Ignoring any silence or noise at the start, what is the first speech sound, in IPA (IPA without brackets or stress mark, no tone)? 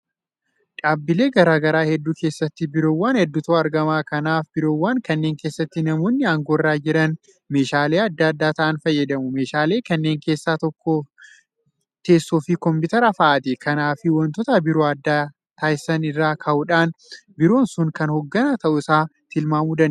ᶑ